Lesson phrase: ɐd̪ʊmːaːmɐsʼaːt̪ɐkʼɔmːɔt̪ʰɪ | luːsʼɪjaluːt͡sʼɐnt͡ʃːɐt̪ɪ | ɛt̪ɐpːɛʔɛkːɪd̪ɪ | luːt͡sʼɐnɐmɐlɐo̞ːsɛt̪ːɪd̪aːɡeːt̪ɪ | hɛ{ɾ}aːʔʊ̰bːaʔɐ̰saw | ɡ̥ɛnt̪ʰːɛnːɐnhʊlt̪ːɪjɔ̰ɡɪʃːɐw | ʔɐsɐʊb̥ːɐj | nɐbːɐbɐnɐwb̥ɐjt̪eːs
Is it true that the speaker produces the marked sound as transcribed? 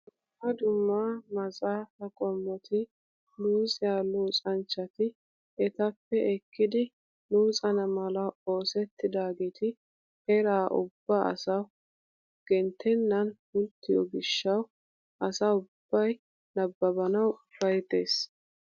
yes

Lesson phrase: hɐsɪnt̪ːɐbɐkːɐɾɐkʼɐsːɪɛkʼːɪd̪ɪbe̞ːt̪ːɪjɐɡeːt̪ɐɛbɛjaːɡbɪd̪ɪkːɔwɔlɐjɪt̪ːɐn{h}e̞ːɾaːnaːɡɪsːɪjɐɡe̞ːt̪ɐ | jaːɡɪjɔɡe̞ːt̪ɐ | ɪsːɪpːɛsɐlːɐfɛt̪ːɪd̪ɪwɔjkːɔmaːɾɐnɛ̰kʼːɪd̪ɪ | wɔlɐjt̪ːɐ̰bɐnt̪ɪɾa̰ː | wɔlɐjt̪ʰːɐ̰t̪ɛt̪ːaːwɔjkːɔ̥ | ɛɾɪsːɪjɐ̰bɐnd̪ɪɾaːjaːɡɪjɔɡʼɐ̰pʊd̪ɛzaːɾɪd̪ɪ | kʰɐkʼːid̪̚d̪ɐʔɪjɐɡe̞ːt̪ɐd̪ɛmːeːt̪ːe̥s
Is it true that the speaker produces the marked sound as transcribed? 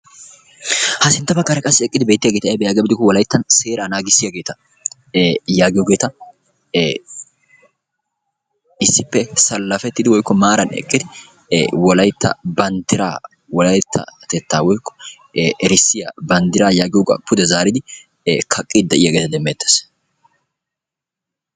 no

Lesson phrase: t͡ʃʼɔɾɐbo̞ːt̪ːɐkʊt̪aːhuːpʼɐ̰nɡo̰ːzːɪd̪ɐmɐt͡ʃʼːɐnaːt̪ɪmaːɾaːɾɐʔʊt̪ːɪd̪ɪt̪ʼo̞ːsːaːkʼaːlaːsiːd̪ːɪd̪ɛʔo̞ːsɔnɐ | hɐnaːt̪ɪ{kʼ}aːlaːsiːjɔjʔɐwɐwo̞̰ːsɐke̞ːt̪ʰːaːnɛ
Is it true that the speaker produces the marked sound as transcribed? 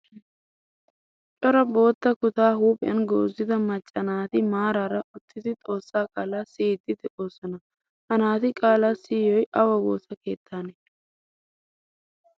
yes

